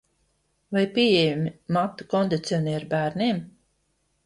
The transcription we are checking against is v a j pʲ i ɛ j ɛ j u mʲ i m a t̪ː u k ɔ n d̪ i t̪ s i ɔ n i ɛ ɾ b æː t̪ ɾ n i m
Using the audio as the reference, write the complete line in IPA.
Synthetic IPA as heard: v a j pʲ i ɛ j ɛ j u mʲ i m a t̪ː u k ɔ n d̪ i t̪ s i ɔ n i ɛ ɾ b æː ɾ n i m